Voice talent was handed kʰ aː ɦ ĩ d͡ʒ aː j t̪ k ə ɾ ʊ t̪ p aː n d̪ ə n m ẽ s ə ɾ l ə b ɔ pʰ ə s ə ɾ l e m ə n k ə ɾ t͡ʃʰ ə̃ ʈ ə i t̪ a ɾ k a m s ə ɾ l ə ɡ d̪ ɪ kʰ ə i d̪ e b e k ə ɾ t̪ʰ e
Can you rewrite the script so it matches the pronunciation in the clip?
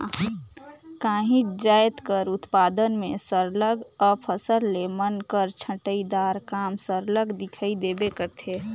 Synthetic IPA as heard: k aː ɦ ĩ d͡ʒ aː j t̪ k ə ɾ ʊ t̪ p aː d̪ ə n m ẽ s ə ɾ l ə ɡ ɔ pʰ ə s ə ɾ l e m ə n k ə ɾ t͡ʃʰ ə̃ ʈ ə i d̪ a ɾ k a m s ə ɾ l ə ɡ d̪ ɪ kʰ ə i d̪ e b e k ə ɾ t̪ʰ e